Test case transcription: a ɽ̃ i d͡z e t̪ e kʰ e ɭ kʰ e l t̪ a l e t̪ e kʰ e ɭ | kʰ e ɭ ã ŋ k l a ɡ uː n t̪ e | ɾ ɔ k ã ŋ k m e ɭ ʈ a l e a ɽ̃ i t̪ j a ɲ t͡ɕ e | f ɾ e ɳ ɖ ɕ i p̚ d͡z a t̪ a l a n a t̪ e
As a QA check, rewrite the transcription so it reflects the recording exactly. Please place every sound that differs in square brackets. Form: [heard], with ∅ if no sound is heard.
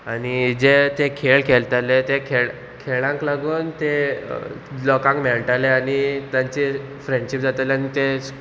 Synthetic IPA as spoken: a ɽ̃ i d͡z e t̪ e kʰ e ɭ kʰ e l t̪ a l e t̪ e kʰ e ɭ | kʰ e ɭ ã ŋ k l a ɡ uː n t̪ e | [l] ɔ k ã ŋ k m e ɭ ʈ a l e a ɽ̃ i t̪ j a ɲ t͡ɕ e | f ɾ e ɳ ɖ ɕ i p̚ d͡z a t̪ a l a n [i] t̪ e